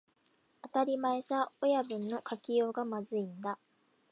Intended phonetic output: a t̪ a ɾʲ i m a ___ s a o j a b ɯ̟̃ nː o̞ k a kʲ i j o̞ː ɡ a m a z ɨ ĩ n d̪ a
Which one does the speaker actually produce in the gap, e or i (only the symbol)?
e